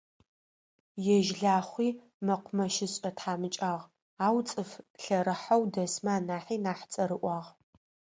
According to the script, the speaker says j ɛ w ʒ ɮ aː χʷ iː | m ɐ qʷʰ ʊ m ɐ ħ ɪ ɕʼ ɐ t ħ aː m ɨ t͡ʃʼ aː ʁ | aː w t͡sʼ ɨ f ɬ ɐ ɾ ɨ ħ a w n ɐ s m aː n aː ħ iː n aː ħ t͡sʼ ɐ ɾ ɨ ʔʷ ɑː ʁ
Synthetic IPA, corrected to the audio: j ɛ ʒ ɮ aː χʷ iː | m ɐ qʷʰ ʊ m ɐ ʃ ɪ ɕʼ ɐ t ħ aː m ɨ t͡ʃʼ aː ʁ | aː w t͡sʼ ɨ f ɬ ɐ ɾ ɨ ħ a w d ɐ s m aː n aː ħ iː n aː ħ t͡sʼ ɐ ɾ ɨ ʔʷ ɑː ʁ